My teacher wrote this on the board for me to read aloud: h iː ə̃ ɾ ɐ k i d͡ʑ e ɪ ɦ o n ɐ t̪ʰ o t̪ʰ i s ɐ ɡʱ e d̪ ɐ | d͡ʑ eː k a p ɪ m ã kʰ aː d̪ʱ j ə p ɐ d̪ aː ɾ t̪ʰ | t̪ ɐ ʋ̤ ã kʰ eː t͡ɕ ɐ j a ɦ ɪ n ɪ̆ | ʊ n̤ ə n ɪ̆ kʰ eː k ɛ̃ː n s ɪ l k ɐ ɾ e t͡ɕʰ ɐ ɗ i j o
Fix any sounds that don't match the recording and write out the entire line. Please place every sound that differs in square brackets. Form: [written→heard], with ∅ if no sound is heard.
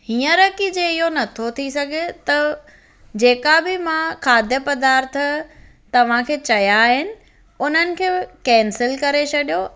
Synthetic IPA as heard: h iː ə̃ ɾ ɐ k i d͡ʑ e ɪ ɦ o n ɐ t̪ʰ o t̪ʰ i s ɐ ɡʱ e [d̪→t̪] ɐ | d͡ʑ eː k a [p→b] ɪ m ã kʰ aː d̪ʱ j ə p ɐ d̪ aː ɾ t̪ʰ | t̪ ɐ ʋ̤ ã kʰ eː t͡ɕ ɐ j a ɦ ɪ n ɪ̆ | ʊ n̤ ə n ɪ̆ kʰ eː k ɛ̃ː n s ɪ l k ɐ ɾ e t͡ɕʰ ɐ ɗ i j o